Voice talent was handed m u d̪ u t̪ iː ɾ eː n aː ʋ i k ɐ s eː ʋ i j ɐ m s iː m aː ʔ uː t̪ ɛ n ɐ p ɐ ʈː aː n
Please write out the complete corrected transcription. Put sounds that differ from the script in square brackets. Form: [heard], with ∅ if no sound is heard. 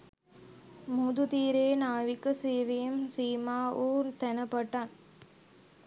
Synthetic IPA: m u d̪ u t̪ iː ɾ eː n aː ʋ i k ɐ s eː ʋ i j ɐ m s iː m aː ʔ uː t̪ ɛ n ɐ p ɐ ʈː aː n

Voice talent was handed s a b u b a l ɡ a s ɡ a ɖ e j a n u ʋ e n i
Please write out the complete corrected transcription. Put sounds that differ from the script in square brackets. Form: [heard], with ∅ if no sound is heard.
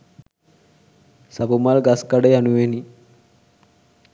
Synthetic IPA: s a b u [m] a l ɡ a s [k] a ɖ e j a n u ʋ e n i

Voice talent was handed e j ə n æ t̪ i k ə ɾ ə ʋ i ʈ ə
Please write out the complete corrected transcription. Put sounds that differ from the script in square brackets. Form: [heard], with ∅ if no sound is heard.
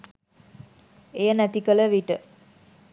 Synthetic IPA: e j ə n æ t̪ i k ə [l] ə ʋ i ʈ ə

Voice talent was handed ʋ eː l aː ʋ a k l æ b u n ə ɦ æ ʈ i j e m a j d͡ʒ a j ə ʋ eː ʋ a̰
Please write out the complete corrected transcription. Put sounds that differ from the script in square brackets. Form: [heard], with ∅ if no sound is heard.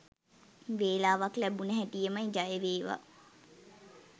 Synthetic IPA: ʋ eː l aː ʋ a k l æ b u n ə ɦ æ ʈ i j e m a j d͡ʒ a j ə ʋ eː ʋ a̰

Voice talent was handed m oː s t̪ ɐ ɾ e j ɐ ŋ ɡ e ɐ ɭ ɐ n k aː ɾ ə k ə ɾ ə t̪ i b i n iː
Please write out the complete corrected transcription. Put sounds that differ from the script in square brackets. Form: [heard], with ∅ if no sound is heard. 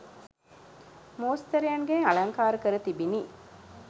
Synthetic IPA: m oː s t̪ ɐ ɾ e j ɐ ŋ ɡ e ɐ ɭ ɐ [ŋ] k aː ɾ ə k ə ɾ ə t̪ i b i n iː

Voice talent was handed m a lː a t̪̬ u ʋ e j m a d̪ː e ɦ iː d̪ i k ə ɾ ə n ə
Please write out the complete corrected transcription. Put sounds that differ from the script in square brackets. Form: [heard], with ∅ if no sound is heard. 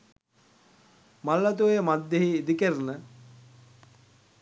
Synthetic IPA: m a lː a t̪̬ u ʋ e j m a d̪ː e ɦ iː d̪ i k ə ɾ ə n ə

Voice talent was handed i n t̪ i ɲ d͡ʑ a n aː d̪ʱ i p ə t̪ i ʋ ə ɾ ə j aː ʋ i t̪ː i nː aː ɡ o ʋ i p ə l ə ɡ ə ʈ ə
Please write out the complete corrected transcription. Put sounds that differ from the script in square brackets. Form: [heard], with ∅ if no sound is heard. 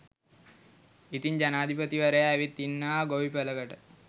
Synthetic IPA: i [∅] t̪ i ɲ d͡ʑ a n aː d̪ʱ i p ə t̪ i ʋ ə ɾ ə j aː ʋ i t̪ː i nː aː ɡ o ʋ i p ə l ə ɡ ə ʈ ə

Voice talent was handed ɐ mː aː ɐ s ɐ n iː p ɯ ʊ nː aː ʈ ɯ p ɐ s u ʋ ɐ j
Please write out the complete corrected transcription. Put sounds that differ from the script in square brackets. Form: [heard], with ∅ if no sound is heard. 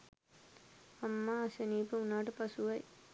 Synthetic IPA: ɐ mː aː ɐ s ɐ n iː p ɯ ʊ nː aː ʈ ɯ p ɐ s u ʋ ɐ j

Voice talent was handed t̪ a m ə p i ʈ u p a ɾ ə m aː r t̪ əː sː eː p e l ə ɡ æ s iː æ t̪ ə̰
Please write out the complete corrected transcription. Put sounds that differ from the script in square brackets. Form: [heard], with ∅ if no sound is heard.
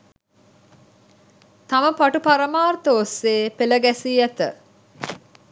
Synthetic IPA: t̪ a m ə p [a] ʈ u p a ɾ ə m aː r t̪ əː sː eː p e l ə ɡ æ s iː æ t̪ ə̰

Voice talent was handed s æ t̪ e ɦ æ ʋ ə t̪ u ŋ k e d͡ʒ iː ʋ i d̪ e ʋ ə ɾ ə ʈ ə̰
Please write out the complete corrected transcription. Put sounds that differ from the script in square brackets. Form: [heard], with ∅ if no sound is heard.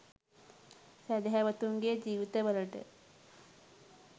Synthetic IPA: s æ [d̪] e ɦ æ ʋ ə t̪ u ŋ [ɡ] e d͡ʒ iː ʋ i [t̪] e ʋ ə [l] ə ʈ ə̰

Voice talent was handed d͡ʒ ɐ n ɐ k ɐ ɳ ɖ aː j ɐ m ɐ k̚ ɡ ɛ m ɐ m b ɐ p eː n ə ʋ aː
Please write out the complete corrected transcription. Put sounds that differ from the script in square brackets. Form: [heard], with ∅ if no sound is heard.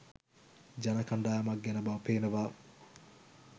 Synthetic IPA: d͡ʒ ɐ n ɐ k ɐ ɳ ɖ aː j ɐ m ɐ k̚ ɡ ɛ [n] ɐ [∅] b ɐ p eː n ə ʋ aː

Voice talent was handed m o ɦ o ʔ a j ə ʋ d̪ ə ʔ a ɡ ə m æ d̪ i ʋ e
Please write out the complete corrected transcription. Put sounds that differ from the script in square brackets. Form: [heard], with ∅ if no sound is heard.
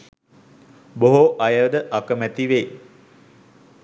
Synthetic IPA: [b] o ɦ o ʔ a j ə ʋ d̪ ə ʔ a [k] ə m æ [t̪] i ʋ e

